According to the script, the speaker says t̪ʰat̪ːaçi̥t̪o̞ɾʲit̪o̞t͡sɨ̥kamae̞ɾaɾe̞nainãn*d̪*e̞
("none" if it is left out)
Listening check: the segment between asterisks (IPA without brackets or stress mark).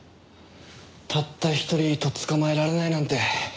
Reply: t̪